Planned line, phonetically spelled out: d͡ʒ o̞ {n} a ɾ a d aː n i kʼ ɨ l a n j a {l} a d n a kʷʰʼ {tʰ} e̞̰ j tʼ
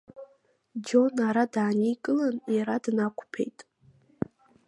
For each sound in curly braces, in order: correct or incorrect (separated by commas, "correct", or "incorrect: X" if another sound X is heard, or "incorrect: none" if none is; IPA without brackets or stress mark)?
correct, incorrect: ɾ, incorrect: pʰ